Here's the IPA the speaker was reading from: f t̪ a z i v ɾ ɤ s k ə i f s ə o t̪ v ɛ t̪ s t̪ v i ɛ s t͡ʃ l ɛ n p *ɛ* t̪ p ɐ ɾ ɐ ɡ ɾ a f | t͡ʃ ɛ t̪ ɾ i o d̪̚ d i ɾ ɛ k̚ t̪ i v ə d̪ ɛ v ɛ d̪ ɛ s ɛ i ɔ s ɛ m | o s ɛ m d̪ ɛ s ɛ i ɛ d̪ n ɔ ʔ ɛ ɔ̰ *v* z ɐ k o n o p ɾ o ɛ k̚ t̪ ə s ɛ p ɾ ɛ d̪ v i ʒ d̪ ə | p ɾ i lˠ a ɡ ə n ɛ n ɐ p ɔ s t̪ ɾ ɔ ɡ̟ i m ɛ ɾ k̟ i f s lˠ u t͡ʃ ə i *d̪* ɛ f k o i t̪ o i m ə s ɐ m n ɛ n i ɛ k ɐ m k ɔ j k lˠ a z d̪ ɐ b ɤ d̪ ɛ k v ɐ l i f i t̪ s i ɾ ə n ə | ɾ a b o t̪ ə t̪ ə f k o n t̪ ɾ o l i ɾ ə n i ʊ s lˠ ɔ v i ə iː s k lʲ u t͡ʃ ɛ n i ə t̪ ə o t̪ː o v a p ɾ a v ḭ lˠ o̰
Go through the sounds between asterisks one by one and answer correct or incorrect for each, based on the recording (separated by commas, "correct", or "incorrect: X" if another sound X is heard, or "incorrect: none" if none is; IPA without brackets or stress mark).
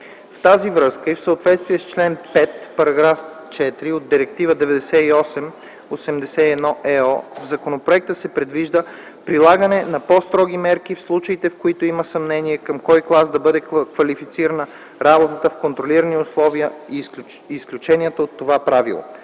correct, correct, incorrect: t̪